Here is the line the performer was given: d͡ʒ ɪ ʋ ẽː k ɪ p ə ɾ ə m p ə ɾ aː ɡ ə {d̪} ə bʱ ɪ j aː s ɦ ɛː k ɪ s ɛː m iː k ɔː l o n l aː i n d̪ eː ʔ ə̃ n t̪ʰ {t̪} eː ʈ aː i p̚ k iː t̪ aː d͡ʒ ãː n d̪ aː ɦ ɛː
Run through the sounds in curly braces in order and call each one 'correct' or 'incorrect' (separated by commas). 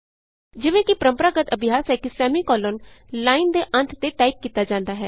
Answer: incorrect, correct